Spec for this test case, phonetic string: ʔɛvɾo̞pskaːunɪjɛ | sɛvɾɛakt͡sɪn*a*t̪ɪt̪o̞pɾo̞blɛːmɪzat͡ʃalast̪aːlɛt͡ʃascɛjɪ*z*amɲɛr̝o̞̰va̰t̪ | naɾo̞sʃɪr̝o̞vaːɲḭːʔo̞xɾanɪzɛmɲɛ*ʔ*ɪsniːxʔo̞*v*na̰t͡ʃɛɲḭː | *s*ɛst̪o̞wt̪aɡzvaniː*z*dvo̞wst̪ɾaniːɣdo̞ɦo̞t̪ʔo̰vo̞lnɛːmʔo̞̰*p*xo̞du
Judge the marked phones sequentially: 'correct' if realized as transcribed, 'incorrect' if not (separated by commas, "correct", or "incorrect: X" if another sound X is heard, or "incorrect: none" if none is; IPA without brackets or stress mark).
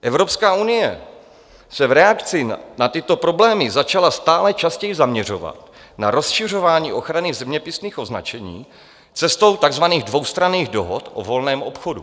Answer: correct, correct, incorrect: p, incorrect: z, incorrect: t͡s, incorrect: ɣ, correct